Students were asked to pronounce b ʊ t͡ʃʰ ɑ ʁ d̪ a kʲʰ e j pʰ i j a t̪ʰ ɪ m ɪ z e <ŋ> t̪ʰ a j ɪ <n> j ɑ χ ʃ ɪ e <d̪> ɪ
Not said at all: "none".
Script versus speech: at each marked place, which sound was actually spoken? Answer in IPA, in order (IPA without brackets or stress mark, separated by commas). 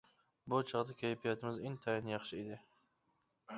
ŋ, n, d̪